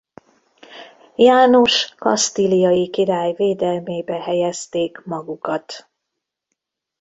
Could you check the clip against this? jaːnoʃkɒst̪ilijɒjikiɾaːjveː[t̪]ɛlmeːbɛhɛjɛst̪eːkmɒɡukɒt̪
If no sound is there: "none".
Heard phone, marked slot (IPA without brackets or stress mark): d̪